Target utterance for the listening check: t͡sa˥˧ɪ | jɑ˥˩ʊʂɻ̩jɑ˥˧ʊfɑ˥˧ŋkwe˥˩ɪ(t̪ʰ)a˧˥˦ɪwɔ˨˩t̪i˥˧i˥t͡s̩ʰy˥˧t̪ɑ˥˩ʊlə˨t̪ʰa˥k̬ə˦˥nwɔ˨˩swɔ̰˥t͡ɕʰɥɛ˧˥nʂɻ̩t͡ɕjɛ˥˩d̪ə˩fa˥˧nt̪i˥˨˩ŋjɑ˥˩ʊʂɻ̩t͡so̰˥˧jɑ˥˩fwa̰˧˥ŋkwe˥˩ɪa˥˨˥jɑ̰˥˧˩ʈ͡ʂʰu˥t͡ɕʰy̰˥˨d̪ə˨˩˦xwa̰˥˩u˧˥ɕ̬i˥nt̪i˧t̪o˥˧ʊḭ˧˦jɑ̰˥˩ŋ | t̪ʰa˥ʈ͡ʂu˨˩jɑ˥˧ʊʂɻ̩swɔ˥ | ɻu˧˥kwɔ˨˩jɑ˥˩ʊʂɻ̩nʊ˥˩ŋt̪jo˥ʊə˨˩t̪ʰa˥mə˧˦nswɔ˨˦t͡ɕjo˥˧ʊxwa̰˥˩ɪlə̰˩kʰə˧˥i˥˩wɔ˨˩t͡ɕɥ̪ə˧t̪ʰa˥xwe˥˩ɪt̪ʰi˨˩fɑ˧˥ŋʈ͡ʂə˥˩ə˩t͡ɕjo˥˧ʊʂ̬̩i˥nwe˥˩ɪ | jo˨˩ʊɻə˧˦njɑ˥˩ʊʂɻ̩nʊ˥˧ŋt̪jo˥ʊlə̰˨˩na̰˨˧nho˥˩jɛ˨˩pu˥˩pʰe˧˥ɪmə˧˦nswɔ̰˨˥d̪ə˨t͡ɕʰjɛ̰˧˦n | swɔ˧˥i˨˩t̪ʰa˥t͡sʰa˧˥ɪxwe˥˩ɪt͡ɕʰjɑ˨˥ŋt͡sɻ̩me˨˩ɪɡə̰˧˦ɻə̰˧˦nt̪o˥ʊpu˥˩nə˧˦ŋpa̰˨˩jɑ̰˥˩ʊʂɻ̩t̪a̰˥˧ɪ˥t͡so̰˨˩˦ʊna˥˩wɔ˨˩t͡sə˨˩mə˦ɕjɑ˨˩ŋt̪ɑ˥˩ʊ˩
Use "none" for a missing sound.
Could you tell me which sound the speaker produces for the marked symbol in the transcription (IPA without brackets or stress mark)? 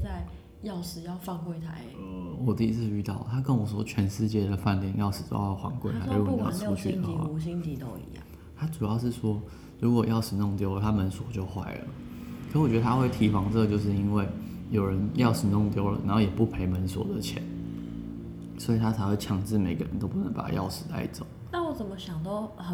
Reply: t̪ʰ